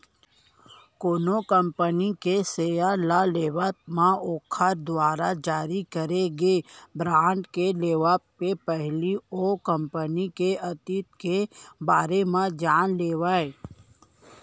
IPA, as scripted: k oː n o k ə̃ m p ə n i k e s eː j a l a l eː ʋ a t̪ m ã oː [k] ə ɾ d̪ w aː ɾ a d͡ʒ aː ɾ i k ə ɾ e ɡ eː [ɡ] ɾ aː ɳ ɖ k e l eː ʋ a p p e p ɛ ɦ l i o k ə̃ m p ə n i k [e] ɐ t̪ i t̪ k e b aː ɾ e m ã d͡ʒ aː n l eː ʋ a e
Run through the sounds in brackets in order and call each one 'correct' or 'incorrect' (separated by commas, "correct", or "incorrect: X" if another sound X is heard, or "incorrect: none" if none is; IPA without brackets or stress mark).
incorrect: kʰ, incorrect: b, correct